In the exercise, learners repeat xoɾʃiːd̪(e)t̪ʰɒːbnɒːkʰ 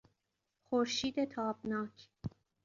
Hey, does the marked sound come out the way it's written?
yes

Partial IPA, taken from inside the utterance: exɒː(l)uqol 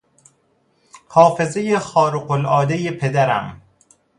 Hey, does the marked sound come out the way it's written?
no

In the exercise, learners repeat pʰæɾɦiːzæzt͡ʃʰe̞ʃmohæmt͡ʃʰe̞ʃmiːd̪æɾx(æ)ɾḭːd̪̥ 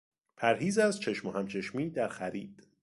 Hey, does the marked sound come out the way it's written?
yes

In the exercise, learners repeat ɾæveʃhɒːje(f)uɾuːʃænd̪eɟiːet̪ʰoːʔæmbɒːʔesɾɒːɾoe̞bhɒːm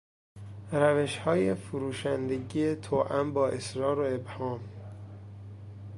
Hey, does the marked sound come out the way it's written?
yes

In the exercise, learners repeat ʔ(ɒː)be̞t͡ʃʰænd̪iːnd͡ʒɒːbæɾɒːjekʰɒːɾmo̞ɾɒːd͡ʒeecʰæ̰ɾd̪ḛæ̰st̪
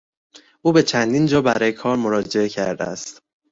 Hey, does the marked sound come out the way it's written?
no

